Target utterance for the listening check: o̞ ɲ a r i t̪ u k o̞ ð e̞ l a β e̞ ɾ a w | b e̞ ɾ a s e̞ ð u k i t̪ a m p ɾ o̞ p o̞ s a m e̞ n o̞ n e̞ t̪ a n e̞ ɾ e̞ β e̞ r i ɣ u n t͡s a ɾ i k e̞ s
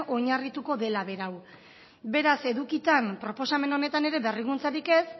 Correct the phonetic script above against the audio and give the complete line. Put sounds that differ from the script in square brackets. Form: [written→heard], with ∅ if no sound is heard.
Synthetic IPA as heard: o̞ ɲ a r i t̪ u k o̞ ð e̞ l a β e̞ ɾ a w | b e̞ ɾ a s e̞ ð u k i t̪ a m p ɾ o̞ p o̞ s a m e̞ n o̞ n e̞ t̪ a n e̞ ɾ e̞ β e̞ r i ɣ u n t͡s a ɾ i k e̞ s